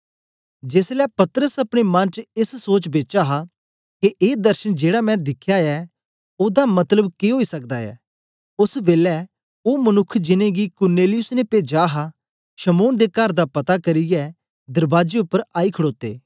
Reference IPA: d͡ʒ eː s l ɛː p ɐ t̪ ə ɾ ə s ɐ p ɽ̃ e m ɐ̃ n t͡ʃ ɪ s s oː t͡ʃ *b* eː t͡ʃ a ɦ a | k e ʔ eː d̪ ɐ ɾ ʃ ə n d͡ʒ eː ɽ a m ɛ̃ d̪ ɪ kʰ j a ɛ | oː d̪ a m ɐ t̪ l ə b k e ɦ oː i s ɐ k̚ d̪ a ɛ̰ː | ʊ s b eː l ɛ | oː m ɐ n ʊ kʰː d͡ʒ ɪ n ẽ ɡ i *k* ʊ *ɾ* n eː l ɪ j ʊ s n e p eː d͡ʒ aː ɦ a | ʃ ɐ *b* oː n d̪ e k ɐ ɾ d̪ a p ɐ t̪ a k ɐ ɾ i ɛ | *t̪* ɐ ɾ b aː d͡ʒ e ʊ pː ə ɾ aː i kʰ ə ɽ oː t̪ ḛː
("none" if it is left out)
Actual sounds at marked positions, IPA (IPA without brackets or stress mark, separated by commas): b, k, ɾ, m, d̪